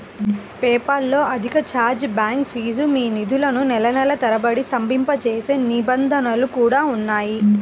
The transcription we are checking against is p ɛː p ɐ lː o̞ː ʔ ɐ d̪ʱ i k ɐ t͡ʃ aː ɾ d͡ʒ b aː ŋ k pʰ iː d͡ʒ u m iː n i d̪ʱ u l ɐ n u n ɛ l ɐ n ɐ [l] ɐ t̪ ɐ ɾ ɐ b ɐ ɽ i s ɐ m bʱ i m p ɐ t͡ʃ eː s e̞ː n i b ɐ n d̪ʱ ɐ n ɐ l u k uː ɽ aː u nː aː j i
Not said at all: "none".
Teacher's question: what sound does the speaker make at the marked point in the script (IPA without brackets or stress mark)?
l